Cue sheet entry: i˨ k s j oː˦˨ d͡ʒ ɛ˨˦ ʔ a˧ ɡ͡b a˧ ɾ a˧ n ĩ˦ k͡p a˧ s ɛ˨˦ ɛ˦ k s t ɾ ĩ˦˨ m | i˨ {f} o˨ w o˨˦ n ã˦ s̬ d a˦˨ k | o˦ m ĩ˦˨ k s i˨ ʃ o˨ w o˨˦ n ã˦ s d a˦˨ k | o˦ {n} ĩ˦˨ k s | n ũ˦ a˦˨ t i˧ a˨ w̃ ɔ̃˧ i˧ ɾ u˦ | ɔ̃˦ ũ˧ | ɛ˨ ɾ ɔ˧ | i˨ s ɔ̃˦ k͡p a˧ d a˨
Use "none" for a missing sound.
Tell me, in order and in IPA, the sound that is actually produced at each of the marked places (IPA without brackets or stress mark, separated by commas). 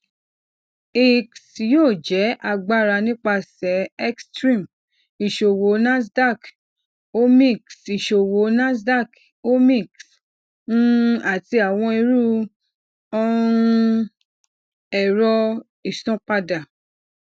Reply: ʃ, m